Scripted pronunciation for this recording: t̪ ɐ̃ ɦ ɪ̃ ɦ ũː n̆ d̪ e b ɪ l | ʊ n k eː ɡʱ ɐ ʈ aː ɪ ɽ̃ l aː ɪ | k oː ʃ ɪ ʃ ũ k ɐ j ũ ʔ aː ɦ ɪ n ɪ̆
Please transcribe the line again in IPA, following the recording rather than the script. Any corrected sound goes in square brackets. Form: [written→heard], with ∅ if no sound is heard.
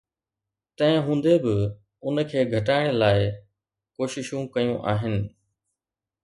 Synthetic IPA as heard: t̪ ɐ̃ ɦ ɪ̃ ɦ ũː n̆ d̪ e b ɪ [l→∅] | ʊ n [k→kʰ] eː ɡʱ ɐ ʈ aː ɪ ɽ̃ l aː ɪ | k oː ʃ ɪ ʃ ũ k ɐ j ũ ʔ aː ɦ ɪ n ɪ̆